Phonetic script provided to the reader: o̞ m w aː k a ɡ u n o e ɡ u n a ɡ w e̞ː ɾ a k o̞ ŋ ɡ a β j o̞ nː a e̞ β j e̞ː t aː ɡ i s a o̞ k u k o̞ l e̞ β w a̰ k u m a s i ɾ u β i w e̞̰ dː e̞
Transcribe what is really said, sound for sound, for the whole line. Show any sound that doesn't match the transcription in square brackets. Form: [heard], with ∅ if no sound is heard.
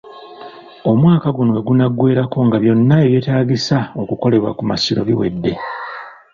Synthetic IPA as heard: o̞ m w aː k a ɡ u n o e ɡ u n a ɡ w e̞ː ɾ a k o̞ ŋ ɡ a β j o̞ nː a e̞ β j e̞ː t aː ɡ i s a o̞ k u k o̞ l e̞ β w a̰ k u m a s i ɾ [o] β i w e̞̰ dː e̞